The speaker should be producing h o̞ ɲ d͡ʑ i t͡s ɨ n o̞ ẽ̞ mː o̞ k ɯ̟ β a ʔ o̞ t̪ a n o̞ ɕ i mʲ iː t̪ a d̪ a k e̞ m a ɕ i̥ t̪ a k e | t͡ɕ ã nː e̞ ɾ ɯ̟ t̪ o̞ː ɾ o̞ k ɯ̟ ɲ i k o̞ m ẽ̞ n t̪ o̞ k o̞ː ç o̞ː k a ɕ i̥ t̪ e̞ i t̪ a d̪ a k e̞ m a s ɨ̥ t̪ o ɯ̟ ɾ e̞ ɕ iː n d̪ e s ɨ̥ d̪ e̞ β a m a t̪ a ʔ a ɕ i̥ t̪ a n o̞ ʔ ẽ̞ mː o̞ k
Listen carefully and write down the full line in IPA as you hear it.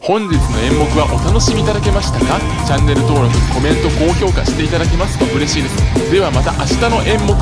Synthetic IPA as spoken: h õ̞ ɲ d͡ʑ i t͡s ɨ n o̞ ẽ̞ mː o̞ k ɯ̟ β a ʔ o̞ t̪ a n o̞ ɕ i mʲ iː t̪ a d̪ a k e̞ m a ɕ i̥ t̪ a k a | t͡ɕ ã nː e̞ ɾ ɯ̟ t̪ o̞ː ɾ o̞ k ɯ̟ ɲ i k o̞ m ẽ̞ n t̪ o̞ k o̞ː ç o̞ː k a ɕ i̥ t̪ e̞ i t̪ a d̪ a k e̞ m a s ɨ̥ t̪ o ɯ̟ ɾ e̞ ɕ iː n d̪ e s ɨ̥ d̪ e̞ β a m a t̪ a ʔ a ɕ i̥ t̪ a n o̞ ʔ ẽ̞ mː o̞ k

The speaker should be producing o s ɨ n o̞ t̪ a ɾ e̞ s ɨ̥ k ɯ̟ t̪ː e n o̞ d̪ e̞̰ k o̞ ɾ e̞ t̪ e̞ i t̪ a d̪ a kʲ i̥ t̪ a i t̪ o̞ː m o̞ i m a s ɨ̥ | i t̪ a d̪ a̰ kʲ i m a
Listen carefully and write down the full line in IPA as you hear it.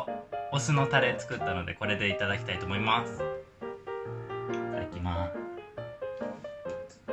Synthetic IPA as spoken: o s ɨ n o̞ t̪ a ɾ e̞ t͡s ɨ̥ k ɯ̟ t̪ː a n o̞ d̪ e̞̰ k o̞ ɾ e̞ d̪ e̞ i t̪ a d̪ a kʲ i̥ t̪ a i t̪ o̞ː m o̞ i m a s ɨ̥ | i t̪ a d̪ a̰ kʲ i m a

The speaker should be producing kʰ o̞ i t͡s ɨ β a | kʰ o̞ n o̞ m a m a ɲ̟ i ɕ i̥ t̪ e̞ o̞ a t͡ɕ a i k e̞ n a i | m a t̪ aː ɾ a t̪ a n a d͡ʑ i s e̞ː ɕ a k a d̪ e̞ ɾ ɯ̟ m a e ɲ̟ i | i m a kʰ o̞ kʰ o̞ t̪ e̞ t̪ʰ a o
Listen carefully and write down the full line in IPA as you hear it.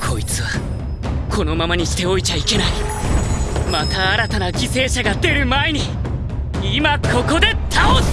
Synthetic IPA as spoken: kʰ o̞ i t͡s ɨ β a | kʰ o̞ n o̞ m a m a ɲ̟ i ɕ i̥ t̪ e̞ o̞ i t͡ɕ a i k e̞ n a i | m a t̪ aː ɾ a t̪ a n a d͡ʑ i s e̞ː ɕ a ɡ a d̪ e̞ ɾ ɯ̟ m a e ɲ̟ i | i m a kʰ o̞ k o̞ d̪ e̞ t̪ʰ a o

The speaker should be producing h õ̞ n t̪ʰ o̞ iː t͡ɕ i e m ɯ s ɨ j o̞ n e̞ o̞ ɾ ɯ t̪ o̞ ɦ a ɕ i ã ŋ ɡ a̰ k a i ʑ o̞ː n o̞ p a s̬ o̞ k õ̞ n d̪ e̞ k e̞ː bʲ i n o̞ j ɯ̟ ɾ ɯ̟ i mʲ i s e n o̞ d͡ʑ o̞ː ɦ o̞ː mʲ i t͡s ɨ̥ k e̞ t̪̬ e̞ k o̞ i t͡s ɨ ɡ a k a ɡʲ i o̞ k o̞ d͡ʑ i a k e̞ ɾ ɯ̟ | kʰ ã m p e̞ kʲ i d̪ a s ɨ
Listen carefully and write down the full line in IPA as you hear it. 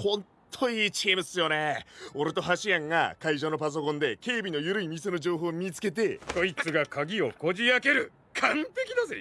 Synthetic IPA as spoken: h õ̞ n t̪ʰ o̞ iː t͡ɕ i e m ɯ s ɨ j o̞ n e̞ o̞ ɾ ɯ t̪ o̞ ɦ a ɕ i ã ŋ ɡ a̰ k a i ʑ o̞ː n o̞ p a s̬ o̞ k õ̞ n d̪ e̞ k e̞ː bʲ i n o̞ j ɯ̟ ɾ ɯ̟ i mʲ i s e n o̞ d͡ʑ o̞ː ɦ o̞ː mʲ i t͡s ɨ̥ k e̞ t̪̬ e̞ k o̞ i t͡s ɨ ɡ a k a ɡʲ i o̞ k o̞ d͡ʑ i a k e̞ ɾ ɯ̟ | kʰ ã m p e̞ kʲ i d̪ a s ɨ

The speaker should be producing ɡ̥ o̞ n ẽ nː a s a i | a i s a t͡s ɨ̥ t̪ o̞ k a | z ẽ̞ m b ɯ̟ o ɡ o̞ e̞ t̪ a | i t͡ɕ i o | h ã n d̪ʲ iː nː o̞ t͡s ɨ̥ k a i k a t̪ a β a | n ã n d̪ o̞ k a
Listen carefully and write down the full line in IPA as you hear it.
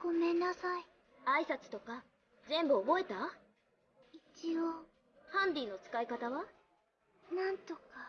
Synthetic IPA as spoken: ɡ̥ o̞ m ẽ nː a s a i | a i s a t͡s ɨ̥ t̪ o̞ k a | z ẽ̞ m b ɯ̟ o b o̞ e̞ t̪ a | i t͡ɕ i o | h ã n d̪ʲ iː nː o̞ t͡s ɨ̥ k a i k a t̪ a β a | n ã n t̪ o̞ k a

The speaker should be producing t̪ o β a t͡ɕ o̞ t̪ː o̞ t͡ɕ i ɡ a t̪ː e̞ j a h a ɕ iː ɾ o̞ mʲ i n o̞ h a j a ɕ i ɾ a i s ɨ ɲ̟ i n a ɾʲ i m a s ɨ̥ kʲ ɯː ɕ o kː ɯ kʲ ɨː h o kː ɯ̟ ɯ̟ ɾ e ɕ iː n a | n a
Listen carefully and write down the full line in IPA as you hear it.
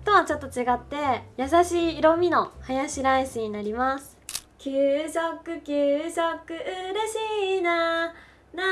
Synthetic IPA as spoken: t̪ o β a t͡ɕ o̞ t̪ː o̞ t͡ɕ i ɡ a t̪ː e̞ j a s a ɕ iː ɾ o̞ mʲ i n o̞ h a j a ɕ i ɾ a i s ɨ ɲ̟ i n a ɾʲ i m a s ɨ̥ kʲ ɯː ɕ o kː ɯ kʲ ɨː ɕ o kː ɯ̟ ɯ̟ ɾ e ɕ iː n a | n a

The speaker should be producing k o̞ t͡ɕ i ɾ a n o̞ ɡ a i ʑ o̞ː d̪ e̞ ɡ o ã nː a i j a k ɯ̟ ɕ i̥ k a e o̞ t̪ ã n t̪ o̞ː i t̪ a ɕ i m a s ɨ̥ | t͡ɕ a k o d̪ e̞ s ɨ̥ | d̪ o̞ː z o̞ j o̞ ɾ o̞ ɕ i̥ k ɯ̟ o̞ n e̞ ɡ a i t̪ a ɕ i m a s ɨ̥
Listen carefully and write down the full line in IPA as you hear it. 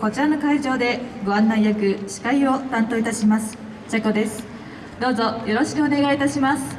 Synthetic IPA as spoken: k o̞ t͡ɕ i ɾ a n o̞ k a i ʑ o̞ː d̪ e̞ ɡ o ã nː a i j a k ɯ̟ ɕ i̥ k a i o̞ t̪ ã n t̪ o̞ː i t̪ a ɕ i m a s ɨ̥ | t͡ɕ a k o d̪ e̞ s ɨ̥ | d̪ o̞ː z o̞ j o̞ ɾ o̞ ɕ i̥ k ɯ̟ o̞ n e̞ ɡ a i t̪ a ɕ i m a s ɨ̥

